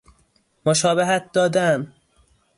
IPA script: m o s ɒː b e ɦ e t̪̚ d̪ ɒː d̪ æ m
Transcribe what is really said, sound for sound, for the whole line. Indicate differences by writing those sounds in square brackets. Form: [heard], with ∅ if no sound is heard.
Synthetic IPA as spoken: m o [ʃ] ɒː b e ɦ [æ] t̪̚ d̪ ɒː d̪ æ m